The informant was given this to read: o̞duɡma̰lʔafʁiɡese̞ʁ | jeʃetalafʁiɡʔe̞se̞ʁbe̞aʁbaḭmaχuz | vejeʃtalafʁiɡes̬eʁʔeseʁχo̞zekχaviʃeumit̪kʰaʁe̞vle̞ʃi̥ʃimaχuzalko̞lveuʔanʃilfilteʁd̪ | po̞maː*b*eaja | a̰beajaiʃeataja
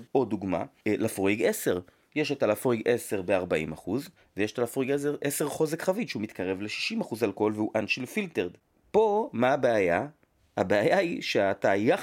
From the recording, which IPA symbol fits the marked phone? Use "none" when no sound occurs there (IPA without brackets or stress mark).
b